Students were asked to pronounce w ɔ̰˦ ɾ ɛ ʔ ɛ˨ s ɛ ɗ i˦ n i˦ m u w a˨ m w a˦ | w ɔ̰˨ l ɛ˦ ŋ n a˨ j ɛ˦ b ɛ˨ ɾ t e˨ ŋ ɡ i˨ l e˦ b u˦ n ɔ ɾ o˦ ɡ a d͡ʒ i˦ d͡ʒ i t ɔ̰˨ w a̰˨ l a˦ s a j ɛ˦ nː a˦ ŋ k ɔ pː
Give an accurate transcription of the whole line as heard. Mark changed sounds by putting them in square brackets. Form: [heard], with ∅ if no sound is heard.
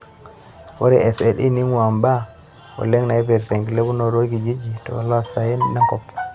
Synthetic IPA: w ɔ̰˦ ɾ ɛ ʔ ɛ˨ s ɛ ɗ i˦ n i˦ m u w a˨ m [b] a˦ | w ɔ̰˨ l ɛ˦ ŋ n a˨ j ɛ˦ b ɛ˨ ɾ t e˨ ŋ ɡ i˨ l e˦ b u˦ n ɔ ɾ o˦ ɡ [i] d͡ʒ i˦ d͡ʒ i t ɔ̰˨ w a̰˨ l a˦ s a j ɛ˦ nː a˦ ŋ k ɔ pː